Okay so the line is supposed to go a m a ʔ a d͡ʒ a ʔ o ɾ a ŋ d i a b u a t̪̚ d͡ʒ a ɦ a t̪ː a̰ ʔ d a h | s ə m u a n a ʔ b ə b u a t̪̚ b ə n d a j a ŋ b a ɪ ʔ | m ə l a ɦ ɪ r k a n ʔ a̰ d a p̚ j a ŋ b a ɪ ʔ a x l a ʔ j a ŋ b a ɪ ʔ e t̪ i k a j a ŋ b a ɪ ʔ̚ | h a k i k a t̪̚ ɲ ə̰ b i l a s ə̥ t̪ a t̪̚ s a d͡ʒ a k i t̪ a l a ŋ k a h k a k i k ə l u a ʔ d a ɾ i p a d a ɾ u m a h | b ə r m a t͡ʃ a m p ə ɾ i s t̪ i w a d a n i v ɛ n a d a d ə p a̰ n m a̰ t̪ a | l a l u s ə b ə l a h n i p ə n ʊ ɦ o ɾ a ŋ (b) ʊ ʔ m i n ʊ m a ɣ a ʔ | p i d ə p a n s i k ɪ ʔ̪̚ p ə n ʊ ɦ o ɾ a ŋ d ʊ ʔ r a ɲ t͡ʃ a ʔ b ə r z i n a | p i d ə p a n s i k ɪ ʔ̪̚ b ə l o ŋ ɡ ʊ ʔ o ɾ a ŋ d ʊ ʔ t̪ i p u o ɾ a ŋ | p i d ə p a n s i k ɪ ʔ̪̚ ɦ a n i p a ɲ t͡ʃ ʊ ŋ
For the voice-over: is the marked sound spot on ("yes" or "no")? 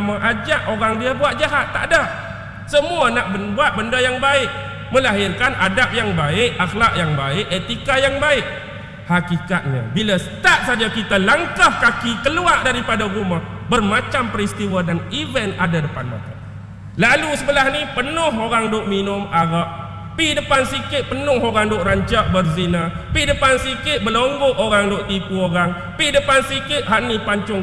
no